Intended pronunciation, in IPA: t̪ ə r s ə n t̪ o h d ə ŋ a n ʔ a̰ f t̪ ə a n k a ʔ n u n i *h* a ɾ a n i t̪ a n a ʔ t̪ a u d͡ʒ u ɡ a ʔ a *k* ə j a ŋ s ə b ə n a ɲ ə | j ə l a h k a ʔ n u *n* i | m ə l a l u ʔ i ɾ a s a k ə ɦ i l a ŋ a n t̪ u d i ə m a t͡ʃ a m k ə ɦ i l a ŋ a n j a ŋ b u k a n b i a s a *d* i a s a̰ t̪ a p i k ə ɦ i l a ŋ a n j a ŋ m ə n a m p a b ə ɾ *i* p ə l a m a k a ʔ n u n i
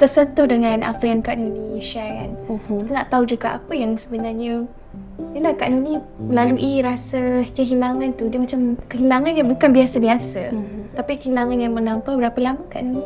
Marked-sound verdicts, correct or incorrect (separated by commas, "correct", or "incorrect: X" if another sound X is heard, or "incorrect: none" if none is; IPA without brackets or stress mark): incorrect: ʃ, incorrect: p, correct, incorrect: b, incorrect: a